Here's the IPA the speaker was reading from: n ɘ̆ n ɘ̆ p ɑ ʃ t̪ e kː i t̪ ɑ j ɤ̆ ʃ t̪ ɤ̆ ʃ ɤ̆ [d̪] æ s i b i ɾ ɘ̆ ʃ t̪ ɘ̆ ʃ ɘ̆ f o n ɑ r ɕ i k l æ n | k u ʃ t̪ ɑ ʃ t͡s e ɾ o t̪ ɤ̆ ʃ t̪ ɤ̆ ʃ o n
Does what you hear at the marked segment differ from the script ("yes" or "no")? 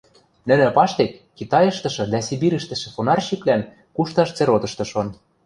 no